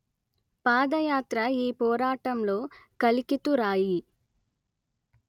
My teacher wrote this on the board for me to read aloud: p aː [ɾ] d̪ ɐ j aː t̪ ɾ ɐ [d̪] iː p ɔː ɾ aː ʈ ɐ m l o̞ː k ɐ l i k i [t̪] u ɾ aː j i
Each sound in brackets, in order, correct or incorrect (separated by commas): incorrect, incorrect, correct